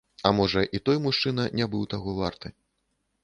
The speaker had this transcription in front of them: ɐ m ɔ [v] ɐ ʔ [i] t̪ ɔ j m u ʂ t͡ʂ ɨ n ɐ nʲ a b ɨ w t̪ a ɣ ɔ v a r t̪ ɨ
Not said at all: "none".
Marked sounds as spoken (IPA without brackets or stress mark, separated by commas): ʐ, i